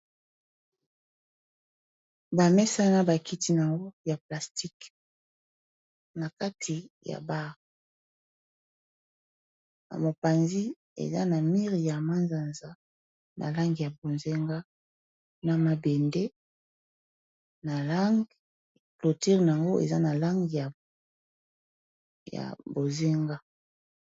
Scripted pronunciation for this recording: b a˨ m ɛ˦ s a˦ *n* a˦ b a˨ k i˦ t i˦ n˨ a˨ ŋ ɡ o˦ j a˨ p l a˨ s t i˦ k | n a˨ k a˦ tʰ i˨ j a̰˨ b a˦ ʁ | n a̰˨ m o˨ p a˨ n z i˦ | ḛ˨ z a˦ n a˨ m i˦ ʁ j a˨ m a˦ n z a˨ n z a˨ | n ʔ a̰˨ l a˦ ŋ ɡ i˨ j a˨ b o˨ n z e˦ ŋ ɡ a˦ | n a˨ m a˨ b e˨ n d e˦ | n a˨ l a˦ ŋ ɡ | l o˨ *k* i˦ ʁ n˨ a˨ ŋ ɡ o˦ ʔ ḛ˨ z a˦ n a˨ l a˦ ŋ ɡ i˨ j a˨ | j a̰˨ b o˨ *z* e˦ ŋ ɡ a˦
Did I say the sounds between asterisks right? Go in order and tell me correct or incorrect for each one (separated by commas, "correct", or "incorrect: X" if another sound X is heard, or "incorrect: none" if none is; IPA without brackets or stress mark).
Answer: correct, incorrect: t, correct